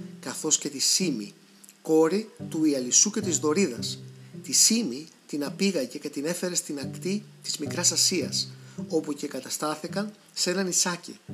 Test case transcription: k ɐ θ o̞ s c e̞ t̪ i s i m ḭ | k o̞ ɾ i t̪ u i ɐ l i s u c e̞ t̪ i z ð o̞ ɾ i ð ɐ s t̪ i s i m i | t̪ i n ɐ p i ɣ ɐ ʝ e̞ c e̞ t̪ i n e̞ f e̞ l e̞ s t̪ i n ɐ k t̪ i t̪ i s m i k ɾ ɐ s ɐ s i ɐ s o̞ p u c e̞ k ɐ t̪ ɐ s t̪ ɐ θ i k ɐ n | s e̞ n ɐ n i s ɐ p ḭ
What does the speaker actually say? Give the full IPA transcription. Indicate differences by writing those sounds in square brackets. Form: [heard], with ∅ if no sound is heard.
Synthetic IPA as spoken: k ɐ θ o̞ s c e̞ t̪ i s i m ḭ | k o̞ ɾ i t̪ u i ɐ l i s u c e̞ t̪ i z ð o̞ ɾ i ð ɐ s t̪ i s i m i | t̪ i n ɐ p i ɣ ɐ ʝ e̞ c e̞ t̪ i n e̞ f e̞ [ɾ] e̞ s t̪ i n ɐ k t̪ i t̪ i [z] m i k ɾ ɐ s ɐ s i ɐ s o̞ p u c e̞ k ɐ t̪ ɐ s t̪ ɐ θ i k ɐ n | s e̞ n ɐ n i s ɐ [c] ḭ